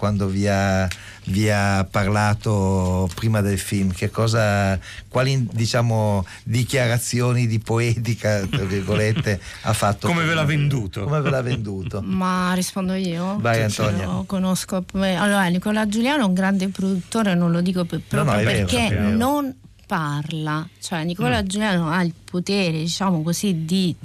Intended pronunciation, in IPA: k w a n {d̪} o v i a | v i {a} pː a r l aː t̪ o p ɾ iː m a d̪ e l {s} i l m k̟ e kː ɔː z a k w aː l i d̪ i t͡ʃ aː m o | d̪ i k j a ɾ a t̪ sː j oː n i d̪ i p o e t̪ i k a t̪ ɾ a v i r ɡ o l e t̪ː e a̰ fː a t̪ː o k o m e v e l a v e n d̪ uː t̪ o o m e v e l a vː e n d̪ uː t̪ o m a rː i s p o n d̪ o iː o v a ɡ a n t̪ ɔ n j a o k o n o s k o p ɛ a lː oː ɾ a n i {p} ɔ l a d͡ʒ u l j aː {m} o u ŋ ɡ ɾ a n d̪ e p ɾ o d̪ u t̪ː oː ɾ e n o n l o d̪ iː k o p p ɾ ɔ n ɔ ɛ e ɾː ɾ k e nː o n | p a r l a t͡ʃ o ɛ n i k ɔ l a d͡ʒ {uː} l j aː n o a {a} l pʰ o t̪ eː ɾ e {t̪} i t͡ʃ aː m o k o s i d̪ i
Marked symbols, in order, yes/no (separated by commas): yes, yes, no, no, no, no, no, no